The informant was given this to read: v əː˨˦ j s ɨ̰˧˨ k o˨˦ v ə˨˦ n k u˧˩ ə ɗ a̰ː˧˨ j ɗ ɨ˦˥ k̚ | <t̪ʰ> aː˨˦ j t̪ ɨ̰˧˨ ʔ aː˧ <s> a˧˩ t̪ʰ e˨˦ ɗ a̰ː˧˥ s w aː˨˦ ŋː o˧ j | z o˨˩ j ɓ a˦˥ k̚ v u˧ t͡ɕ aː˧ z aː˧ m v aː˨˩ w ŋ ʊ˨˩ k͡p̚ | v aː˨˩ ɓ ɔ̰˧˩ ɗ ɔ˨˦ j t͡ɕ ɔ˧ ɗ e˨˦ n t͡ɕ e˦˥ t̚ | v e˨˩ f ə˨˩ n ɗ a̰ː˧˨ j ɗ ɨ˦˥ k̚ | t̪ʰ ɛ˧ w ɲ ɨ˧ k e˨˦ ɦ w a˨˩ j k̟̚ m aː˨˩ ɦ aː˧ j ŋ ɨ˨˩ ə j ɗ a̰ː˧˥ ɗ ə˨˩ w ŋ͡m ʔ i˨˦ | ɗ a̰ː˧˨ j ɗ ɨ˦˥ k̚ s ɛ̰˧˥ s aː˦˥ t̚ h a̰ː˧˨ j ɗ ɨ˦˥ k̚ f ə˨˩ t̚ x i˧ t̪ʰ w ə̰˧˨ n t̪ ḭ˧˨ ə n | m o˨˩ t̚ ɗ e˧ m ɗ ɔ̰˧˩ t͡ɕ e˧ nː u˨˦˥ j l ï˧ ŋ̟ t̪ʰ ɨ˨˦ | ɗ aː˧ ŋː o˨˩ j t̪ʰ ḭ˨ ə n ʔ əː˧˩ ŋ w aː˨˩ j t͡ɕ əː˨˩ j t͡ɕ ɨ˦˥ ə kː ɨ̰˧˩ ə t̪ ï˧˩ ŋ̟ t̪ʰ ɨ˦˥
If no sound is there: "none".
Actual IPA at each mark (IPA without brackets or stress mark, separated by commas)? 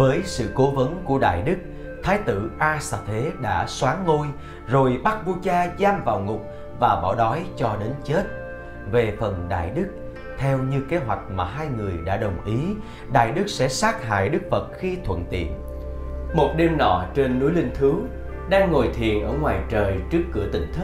t̪ʰ, s